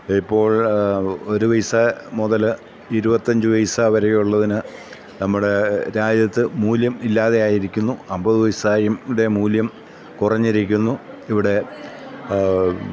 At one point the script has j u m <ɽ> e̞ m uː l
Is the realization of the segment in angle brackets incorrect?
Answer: no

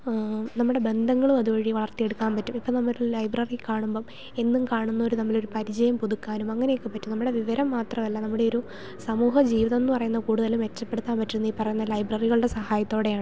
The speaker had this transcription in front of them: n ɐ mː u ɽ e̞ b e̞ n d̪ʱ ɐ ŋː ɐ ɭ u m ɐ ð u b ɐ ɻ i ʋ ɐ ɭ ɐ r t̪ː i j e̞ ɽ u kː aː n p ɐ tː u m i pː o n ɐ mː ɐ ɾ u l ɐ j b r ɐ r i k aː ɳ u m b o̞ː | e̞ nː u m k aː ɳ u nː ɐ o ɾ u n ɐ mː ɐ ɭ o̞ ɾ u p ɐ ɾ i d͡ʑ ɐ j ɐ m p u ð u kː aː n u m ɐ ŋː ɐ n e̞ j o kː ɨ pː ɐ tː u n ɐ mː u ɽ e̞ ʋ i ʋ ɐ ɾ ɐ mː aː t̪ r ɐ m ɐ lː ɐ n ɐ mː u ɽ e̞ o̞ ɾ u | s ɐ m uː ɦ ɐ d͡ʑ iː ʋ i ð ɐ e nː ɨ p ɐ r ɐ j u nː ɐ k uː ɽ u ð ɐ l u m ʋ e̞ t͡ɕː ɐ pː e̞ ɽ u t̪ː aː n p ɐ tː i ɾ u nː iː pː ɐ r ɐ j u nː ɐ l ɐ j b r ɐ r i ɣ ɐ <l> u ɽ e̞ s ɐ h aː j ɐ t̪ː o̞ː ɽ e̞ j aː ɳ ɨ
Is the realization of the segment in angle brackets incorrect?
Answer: yes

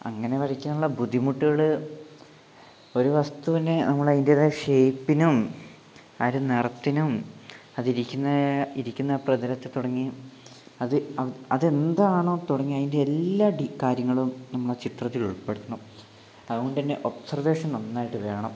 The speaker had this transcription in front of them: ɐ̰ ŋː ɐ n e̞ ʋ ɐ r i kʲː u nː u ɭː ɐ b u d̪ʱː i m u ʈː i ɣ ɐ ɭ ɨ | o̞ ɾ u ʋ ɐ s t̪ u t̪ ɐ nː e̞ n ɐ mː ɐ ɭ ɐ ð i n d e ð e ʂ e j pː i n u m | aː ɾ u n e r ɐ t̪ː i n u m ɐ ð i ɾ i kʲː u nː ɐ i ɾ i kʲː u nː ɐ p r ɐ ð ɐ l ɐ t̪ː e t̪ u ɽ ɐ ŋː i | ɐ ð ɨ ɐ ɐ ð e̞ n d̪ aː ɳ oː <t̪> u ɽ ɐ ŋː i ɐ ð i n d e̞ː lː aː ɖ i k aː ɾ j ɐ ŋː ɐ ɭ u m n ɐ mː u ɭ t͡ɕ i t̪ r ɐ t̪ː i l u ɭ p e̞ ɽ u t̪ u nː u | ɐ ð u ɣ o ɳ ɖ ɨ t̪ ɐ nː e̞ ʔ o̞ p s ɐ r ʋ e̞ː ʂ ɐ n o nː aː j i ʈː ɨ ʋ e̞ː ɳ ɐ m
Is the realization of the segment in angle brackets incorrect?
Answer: no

